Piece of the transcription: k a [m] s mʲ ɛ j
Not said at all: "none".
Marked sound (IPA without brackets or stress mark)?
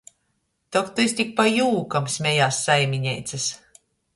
m